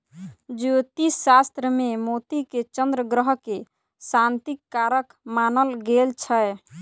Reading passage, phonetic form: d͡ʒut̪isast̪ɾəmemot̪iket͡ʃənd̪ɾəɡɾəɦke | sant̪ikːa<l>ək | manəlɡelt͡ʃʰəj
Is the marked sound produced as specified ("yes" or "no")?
no